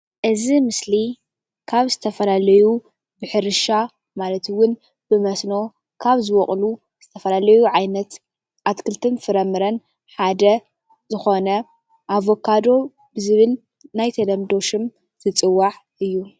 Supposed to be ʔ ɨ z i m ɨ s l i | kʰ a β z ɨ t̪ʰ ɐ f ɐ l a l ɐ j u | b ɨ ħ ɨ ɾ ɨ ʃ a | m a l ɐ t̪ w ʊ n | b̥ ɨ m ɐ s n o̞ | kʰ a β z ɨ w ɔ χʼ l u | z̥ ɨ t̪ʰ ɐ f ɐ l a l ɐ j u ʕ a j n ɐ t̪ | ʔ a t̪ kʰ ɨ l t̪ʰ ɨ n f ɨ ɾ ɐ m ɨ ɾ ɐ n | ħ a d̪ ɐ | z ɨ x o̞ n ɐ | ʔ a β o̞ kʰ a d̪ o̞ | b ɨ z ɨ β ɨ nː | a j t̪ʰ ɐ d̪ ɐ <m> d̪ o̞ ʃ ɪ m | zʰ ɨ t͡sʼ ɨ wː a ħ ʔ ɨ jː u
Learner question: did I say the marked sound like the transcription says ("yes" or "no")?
yes